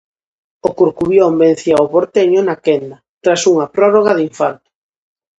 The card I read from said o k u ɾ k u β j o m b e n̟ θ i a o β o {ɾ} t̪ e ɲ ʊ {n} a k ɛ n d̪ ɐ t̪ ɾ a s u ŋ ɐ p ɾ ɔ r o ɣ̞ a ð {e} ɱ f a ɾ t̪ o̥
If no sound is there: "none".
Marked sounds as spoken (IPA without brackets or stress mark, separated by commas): ɾ, n, i